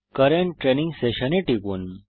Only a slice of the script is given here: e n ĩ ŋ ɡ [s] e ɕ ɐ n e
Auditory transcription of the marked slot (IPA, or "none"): s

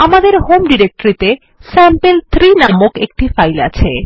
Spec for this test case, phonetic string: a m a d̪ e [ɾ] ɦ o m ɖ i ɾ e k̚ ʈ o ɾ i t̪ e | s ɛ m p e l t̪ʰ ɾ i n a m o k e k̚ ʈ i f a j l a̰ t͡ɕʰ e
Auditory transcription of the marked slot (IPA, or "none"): ɾ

